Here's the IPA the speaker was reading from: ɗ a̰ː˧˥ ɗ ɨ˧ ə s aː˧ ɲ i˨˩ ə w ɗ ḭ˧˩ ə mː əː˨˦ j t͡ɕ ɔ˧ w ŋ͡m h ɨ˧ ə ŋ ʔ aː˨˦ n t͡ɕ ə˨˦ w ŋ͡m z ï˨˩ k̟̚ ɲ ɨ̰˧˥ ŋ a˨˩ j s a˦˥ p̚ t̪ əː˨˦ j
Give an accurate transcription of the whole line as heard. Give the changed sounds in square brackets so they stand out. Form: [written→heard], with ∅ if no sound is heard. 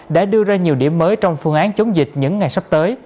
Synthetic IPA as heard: ɗ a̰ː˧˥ ɗ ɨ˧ ə [s→z] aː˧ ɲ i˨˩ ə w ɗ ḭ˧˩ ə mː əː˨˦ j t͡ɕ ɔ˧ w ŋ͡m [h→f] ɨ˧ ə ŋ ʔ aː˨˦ n t͡ɕ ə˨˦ w ŋ͡m z ï˨˩ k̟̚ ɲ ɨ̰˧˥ [ŋ→ŋː] a˨˩ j s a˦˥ p̚ t̪ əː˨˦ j